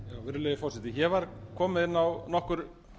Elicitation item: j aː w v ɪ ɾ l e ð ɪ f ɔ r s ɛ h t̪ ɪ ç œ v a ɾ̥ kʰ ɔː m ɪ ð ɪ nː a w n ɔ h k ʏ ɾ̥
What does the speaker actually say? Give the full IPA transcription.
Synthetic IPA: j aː w v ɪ ɾ l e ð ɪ f ɔ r s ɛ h t̪ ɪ ç ɛ v a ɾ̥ kʰ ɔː m ɪ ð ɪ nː a w n ɔ h k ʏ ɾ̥

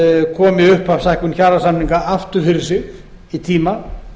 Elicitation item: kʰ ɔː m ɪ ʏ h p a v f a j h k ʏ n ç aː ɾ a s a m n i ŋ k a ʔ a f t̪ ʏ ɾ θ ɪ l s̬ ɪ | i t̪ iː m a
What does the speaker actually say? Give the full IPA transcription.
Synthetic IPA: kʰ ɔː m ɪ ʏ h p a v s a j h k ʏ n ç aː ɾ a s a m n i ŋ k a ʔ a f t̪ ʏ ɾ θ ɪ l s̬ ɪ | i t̪ʰ iː m a

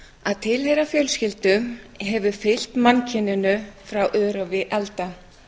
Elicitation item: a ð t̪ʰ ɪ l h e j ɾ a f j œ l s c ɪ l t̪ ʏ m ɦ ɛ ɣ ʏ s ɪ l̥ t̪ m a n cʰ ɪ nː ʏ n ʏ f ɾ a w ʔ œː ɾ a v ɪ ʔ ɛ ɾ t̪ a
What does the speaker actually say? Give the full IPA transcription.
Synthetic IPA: a ð t̪ʰ ɪ l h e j ɾ a f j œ l s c ɪ l t̪ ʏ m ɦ ɛ v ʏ f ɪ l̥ t̪ m a n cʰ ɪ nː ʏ n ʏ f ɾ a w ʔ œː ɾ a v ɪ ʔ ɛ l t̪ a

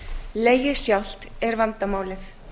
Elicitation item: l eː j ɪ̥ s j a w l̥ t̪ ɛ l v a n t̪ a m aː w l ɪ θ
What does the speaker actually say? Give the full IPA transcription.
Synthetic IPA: l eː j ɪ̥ s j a w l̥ t̪ ɛ ɾ v a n t̪ a m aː w l ɪ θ

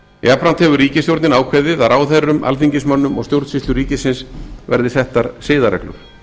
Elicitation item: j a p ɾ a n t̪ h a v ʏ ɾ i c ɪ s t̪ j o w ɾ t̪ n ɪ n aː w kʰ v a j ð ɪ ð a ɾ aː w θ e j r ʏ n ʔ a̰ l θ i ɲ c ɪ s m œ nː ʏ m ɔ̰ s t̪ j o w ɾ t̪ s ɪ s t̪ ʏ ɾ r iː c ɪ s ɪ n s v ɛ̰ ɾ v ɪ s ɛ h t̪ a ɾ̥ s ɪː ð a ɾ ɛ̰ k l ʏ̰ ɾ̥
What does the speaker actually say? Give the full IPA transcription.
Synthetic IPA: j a p ɾ a n t̪ h ɛ v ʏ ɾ iː c ɪ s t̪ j o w ɾ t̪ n ɪ n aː w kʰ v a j ð ɪ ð a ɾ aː w θ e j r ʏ m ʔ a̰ l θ i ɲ c ɪ s m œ nː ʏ m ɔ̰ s t̪ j o w ɾ t̪ s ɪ s t̪ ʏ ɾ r iː c ɪ s ɪ n s v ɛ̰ ɾ ð ɪ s ɛ h t̪ a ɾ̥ s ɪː ð a ɾ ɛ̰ k l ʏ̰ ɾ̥

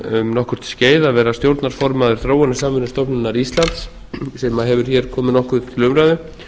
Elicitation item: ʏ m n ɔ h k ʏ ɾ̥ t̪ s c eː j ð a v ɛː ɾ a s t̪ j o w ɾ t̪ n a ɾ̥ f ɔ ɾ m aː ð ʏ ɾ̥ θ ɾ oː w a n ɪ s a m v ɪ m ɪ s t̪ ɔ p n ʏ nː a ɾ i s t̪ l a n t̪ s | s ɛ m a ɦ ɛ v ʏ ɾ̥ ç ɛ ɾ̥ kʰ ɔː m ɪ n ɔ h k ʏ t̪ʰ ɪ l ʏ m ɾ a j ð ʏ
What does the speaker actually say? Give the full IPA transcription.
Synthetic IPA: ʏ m n ɔ h k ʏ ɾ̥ t̪ s c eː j ð a v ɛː ɾ a s t̪ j o w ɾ t̪ n a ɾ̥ f ɔ ɾ m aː ð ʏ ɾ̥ θ ɾ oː w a n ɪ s a m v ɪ n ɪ s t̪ ɔ p n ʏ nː a ɾ i s t̪ l a n t̪ s | s ɛ m a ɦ ɛ v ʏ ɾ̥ ç ɛ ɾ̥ kʰ ɔː m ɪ n ɔ h k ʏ t̪ʰ ɪ l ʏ m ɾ a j ð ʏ

